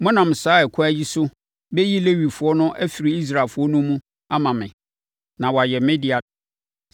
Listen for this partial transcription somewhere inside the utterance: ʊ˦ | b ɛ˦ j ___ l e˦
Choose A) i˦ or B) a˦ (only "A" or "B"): A